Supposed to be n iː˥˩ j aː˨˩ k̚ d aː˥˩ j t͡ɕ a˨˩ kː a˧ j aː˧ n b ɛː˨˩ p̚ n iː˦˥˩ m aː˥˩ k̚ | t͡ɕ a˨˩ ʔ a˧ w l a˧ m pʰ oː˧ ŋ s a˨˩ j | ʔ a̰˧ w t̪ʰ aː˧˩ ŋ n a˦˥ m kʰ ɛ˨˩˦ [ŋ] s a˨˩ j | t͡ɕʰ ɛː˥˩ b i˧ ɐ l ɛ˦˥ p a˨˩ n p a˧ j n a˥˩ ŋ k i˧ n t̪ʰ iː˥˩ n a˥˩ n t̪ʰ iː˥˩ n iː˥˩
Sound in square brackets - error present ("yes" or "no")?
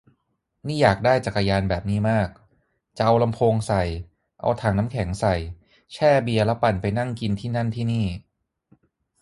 no